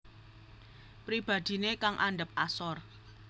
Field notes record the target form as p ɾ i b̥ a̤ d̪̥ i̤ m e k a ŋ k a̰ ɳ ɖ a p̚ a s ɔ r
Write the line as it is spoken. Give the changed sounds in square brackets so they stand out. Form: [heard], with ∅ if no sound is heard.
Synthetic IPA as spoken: p ɾ i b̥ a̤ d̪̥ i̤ [n] e k a ŋ [ʔ] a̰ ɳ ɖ [ə] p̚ a s ɔ r